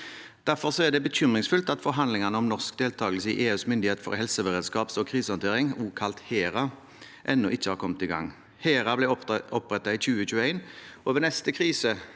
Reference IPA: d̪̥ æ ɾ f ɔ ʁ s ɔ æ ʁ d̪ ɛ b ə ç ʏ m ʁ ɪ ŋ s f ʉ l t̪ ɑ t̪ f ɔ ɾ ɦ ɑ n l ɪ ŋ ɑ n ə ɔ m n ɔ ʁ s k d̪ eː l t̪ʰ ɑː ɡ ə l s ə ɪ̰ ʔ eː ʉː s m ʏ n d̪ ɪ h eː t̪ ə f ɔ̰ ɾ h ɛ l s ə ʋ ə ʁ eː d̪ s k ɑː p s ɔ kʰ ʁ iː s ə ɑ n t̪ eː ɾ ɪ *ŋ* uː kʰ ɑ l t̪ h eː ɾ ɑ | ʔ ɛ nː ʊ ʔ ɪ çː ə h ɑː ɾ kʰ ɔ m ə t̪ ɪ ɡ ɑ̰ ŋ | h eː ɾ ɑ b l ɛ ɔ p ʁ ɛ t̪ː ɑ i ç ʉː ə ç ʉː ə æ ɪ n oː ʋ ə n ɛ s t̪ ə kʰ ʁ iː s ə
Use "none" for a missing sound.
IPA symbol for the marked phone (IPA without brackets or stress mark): ŋ